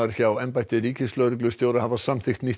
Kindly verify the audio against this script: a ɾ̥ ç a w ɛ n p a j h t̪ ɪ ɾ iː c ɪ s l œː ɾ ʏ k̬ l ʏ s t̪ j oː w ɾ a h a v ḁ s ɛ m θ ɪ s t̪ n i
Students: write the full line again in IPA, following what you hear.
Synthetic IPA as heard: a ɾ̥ ç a w ɛ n p a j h t̪ ɪ ɾ iː c ɪ s l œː ɾ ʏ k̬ l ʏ s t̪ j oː w ɾ a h a v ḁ s a m θ ɪ x t̪ n i

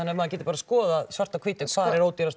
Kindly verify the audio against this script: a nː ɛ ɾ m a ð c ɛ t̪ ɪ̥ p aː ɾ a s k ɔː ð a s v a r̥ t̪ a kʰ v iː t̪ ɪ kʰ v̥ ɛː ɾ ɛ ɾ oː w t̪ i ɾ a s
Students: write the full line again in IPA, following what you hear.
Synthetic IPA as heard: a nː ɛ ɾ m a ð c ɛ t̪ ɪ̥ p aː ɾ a s k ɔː ð a s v a r̥ t̪ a kʰ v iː t̪ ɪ kʰ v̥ aː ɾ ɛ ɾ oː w t̪ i ɾ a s

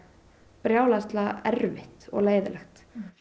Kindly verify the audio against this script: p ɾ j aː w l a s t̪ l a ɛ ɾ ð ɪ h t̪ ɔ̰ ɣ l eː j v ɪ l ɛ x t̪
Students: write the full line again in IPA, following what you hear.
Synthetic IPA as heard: p ɾ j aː w l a s t̪ l a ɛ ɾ v ɪ h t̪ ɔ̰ ɣ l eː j ð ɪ l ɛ x t̪

